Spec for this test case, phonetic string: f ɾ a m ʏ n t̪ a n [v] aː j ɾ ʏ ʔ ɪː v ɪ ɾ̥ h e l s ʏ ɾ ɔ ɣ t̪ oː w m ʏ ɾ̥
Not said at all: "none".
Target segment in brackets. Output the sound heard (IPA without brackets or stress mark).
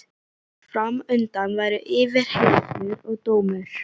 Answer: v